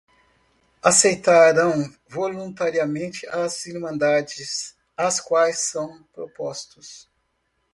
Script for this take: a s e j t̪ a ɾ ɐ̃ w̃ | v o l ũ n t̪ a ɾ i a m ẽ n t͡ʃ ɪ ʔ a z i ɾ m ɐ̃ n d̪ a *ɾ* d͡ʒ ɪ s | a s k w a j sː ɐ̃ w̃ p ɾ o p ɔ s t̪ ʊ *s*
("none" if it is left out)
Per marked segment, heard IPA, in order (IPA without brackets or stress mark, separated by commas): none, s